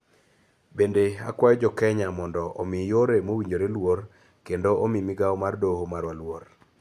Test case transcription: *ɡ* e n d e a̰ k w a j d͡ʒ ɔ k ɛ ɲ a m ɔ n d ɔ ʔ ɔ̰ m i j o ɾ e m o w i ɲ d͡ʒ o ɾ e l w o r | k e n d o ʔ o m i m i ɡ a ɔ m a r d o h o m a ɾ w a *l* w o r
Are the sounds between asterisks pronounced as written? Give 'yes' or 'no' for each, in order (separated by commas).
no, yes